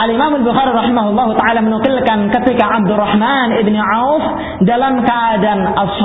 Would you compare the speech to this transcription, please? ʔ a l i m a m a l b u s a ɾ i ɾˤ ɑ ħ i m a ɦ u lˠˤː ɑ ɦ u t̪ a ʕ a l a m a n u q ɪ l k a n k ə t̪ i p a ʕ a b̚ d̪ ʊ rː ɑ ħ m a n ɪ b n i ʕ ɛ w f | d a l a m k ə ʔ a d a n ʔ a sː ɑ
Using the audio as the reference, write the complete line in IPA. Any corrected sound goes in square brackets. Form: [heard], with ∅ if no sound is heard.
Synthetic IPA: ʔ a l i m a m a l b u [x] a ɾ i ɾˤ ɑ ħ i m a ɦ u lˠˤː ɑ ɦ u t̪ a ʕ a l a m [ə] n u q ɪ l k a n k ə t̪ i [k] a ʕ a b̚ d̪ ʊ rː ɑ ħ m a n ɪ b n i ʕ [a] w f | d a l a m k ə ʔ a d a n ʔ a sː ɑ